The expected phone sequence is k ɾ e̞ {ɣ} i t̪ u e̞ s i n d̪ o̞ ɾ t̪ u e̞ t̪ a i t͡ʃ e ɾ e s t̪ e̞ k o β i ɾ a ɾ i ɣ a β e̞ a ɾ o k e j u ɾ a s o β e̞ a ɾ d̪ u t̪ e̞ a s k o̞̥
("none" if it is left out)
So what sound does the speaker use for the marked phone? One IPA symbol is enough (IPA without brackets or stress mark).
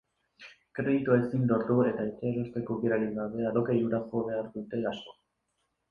ð